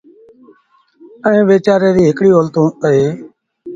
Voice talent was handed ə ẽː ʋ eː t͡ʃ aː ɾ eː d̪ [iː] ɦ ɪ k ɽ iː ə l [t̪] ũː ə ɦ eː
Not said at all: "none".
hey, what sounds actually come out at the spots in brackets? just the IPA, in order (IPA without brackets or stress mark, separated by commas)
iː, t̪